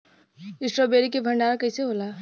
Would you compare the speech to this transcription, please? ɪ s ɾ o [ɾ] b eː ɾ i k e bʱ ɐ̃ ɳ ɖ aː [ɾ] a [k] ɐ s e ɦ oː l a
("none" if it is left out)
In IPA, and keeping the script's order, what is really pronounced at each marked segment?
none, ɾ, k

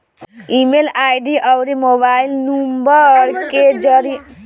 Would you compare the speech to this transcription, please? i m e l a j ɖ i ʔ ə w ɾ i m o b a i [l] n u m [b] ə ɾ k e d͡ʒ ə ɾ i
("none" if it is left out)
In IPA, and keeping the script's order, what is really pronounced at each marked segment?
l, b

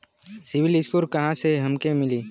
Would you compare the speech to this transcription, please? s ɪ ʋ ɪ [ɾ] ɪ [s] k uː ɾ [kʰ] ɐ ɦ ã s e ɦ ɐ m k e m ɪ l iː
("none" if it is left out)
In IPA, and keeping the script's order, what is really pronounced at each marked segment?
l, s, k

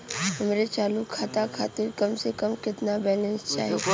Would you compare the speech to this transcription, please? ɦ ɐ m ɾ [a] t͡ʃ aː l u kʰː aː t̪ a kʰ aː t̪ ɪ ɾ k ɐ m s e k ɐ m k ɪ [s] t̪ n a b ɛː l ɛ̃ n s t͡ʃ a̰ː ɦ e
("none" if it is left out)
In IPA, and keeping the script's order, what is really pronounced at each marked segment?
e, none

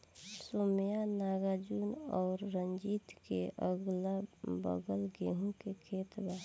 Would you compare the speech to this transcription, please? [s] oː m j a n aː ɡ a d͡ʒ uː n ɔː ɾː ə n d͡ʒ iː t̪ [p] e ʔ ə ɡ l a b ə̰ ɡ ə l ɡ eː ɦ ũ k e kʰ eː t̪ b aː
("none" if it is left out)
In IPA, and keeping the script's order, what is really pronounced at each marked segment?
s, k

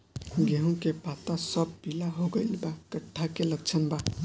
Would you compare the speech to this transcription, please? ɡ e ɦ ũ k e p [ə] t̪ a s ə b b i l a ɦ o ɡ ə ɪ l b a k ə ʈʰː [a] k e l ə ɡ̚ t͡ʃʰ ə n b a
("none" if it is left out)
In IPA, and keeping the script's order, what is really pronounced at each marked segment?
a, a

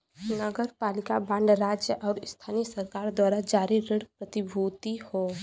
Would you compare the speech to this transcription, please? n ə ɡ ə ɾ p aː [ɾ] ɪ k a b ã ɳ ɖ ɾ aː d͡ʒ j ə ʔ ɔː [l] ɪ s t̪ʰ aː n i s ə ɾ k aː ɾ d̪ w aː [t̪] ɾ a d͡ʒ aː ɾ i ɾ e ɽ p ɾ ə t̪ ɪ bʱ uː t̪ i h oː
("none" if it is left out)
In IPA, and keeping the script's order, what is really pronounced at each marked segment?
l, ɾ, none

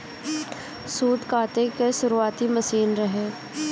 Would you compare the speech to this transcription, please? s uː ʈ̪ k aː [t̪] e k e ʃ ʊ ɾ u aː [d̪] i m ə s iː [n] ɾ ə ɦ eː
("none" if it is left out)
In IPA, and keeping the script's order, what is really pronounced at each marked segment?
t̪, t̪, n

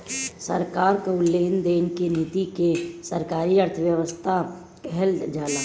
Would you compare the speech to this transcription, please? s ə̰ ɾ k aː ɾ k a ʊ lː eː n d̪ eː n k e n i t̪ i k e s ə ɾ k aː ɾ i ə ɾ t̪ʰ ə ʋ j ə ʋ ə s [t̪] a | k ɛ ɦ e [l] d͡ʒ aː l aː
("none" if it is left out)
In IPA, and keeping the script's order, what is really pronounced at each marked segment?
t̪ʰ, l

